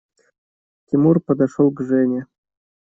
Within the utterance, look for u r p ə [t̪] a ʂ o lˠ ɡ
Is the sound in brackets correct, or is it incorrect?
incorrect: d̪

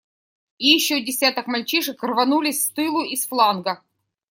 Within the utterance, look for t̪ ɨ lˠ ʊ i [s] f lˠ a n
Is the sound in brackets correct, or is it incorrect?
correct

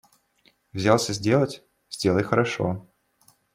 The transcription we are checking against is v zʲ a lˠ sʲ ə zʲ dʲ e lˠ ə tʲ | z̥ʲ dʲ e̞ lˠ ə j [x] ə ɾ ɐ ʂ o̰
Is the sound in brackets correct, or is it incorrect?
correct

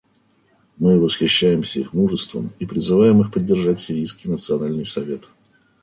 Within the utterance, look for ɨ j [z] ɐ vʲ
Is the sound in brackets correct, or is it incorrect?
incorrect: s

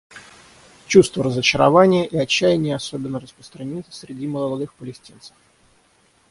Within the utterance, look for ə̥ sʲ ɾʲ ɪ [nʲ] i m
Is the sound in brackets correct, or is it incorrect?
incorrect: dʲ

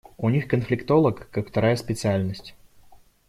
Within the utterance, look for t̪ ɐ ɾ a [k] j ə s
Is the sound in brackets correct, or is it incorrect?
incorrect: none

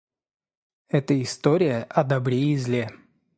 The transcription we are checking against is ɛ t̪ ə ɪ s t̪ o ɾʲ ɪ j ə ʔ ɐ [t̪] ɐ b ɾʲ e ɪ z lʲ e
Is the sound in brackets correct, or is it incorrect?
incorrect: d̪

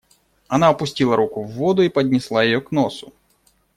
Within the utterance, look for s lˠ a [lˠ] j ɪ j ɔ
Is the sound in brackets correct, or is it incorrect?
incorrect: none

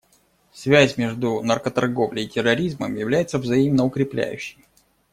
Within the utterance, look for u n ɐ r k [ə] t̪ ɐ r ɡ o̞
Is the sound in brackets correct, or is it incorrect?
correct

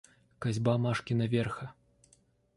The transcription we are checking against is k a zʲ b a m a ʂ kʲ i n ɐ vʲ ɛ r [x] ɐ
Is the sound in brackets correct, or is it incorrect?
correct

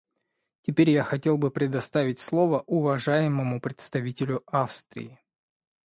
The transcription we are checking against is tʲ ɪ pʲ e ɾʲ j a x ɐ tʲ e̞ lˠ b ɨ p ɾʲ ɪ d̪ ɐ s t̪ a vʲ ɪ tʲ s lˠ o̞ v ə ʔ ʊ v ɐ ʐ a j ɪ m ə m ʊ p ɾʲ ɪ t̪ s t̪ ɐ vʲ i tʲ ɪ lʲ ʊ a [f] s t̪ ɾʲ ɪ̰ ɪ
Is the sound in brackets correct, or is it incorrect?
correct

